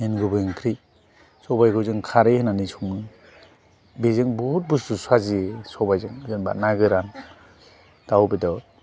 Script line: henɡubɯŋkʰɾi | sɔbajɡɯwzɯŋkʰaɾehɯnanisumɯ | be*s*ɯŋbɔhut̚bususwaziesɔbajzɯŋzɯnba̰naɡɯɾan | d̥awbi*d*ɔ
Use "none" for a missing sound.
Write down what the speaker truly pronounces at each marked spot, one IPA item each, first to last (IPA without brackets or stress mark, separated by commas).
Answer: z, d